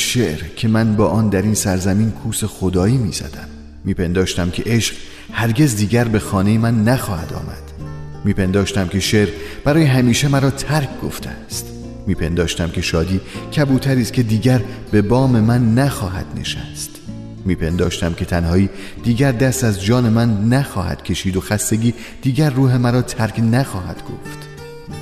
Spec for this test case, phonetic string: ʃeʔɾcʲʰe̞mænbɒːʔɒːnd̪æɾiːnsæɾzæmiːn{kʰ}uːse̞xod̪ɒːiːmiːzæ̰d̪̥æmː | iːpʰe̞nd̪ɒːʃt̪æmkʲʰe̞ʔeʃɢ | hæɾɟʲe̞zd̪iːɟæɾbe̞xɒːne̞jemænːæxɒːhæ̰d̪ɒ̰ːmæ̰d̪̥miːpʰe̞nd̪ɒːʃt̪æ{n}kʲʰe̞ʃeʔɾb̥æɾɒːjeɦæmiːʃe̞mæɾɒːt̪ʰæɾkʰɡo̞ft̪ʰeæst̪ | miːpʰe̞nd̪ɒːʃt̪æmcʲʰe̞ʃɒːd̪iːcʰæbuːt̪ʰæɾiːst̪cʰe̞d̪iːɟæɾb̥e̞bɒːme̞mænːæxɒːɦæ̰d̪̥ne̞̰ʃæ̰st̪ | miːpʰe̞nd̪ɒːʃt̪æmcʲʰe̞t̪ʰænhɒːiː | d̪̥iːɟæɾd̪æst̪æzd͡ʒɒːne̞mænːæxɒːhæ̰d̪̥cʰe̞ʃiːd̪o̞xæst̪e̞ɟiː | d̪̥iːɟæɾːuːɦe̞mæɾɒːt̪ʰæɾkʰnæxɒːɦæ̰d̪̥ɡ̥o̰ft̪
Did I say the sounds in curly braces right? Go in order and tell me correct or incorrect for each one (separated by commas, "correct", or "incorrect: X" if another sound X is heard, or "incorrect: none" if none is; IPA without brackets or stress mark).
correct, incorrect: m